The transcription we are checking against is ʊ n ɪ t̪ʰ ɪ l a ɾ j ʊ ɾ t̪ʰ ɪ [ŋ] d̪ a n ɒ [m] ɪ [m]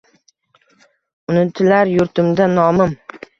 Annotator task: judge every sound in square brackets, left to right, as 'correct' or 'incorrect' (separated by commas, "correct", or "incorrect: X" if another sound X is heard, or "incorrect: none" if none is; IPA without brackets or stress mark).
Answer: incorrect: m, correct, correct